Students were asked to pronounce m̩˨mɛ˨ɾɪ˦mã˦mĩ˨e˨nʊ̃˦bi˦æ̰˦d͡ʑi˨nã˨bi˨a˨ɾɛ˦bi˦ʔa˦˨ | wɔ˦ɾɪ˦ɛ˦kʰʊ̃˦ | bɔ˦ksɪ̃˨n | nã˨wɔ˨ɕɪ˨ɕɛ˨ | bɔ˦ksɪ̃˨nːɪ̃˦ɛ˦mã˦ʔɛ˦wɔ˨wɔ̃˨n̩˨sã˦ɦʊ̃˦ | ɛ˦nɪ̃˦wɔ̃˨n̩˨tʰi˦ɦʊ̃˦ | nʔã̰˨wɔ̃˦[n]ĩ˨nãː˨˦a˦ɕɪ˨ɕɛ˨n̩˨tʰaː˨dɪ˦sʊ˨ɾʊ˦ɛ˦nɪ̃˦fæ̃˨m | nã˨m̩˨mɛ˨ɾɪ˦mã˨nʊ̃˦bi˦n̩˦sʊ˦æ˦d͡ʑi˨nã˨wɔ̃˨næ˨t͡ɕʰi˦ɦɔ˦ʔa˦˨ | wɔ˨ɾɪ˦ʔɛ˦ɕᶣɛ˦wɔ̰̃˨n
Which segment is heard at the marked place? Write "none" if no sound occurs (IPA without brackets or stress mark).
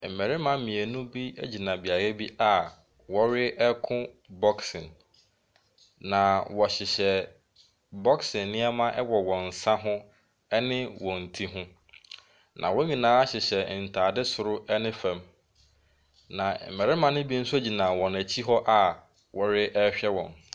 ɲ